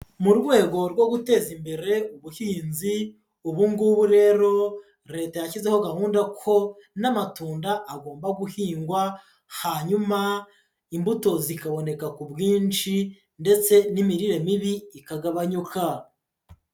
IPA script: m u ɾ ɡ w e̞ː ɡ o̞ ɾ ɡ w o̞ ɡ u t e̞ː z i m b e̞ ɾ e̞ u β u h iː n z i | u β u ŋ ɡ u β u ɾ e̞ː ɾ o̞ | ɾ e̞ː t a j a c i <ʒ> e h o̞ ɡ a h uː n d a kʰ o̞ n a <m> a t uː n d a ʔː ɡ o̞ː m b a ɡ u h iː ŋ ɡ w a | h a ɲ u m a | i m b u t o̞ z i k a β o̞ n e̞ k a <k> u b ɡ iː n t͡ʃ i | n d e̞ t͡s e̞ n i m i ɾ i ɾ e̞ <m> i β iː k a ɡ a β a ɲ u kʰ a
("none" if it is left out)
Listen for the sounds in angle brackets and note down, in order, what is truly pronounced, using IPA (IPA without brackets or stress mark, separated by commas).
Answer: z, m, k, m